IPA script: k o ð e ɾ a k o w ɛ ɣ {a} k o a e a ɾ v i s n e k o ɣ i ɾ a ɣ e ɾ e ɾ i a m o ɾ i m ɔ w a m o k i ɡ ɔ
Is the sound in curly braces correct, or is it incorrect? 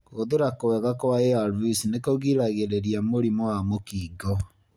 correct